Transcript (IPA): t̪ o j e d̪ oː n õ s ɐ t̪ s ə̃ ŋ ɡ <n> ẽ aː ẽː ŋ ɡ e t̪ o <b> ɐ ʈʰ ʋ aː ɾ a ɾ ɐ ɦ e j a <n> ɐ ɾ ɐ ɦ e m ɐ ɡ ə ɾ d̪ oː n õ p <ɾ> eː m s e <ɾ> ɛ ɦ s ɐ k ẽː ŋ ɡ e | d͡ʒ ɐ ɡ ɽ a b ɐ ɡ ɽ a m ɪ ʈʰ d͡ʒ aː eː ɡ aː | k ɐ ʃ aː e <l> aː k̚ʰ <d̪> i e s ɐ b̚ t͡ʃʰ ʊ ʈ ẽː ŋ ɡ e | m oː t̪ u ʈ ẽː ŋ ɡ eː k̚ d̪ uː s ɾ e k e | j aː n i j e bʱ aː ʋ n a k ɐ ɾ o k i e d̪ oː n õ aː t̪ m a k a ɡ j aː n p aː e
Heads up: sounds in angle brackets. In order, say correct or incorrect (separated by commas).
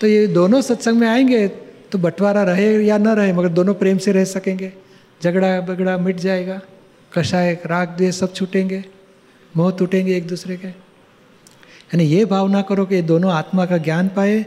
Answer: incorrect, correct, correct, correct, correct, incorrect, correct